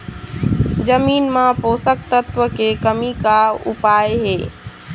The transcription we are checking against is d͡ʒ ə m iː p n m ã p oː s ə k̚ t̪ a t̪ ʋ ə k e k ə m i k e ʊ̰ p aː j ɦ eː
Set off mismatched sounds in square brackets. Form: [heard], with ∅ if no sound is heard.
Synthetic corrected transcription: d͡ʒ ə m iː [∅] n m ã p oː s ə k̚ t̪ [ə] t̪ ʋ ə k e k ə m i k [a] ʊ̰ p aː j ɦ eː